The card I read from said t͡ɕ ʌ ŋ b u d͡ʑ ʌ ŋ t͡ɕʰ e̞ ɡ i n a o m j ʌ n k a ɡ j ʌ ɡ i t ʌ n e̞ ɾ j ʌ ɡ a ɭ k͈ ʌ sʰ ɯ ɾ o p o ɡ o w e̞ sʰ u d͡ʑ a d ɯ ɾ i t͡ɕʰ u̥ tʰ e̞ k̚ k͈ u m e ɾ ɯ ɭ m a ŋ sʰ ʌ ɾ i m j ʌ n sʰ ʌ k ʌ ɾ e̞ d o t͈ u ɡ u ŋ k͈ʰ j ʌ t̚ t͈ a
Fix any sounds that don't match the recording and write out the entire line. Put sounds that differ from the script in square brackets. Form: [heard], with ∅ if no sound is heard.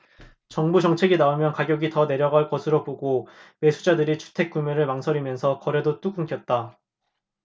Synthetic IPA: t͡ɕ ʌ ŋ b u d͡ʑ ʌ ŋ t͡ɕʰ e̞ ɡ i n a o m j ʌ n k a ɡ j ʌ ɡ i t ʌ n e̞ ɾ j ʌ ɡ a ɭ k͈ ʌ sʰ ɯ ɾ o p o ɡ o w e̞ sʰ u d͡ʑ a d ɯ ɾ i t͡ɕʰ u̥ tʰ e̞ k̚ k͈ u m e ɾ ɯ ɭ m a ŋ sʰ ʌ ɾ i m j ʌ n sʰ ʌ k ʌ ɾ e̞ d o t͈ u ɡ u ŋ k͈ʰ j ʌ t̚ t͈ a